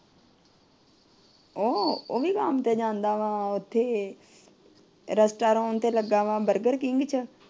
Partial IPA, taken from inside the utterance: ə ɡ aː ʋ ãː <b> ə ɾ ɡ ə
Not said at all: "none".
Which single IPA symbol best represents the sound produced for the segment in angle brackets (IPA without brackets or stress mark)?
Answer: b